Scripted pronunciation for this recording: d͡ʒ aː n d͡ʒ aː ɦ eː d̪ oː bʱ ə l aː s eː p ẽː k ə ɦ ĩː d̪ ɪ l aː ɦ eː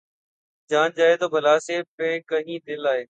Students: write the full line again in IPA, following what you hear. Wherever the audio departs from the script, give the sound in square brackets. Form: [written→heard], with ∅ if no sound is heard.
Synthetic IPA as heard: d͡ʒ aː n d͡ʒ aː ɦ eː [d̪→t̪] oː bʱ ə l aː s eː p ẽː k ə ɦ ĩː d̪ ɪ l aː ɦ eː